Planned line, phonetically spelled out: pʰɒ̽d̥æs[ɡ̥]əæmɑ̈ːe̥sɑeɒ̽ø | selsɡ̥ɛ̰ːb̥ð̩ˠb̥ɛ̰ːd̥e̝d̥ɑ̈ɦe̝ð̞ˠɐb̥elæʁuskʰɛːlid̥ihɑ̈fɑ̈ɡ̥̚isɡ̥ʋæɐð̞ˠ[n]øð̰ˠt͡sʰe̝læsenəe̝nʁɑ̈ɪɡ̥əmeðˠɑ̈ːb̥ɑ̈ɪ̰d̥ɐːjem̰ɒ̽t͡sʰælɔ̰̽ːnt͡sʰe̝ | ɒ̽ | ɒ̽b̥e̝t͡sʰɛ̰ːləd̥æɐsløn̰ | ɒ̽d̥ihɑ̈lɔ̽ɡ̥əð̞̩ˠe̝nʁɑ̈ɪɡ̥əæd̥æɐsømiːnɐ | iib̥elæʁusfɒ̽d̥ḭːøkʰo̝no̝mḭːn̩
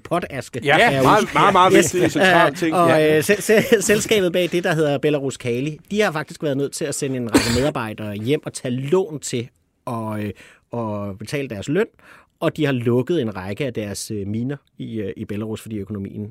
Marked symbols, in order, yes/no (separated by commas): yes, yes